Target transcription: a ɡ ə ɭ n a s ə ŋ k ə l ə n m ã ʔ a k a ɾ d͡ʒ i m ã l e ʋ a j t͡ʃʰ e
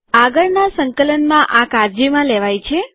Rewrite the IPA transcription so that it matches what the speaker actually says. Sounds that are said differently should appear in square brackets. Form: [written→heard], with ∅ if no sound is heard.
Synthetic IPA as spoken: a ɡ ə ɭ n a s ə ŋ k ə l ə n m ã ʔ a k a ɾ d͡ʒ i m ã l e ʋ a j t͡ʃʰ e